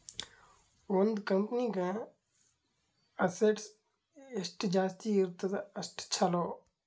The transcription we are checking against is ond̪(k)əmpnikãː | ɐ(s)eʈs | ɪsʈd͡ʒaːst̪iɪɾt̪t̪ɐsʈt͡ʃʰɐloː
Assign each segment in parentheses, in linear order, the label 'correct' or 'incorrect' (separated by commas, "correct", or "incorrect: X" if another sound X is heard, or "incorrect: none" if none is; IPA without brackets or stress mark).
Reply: correct, correct